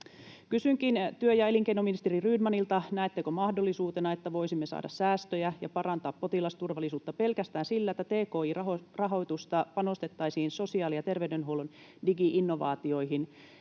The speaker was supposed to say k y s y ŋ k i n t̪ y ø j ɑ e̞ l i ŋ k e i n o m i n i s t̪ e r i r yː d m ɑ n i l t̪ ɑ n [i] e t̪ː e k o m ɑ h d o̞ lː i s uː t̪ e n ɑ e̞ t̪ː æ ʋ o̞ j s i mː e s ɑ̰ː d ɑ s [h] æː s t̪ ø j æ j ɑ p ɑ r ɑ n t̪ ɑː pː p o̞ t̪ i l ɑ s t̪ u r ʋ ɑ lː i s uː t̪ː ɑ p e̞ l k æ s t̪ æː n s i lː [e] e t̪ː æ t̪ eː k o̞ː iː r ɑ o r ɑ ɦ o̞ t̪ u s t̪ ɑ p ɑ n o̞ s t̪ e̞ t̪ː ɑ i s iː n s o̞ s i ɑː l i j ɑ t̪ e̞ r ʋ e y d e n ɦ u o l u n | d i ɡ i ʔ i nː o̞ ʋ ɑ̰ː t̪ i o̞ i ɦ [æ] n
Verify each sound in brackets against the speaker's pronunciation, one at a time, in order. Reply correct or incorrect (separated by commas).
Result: incorrect, incorrect, incorrect, incorrect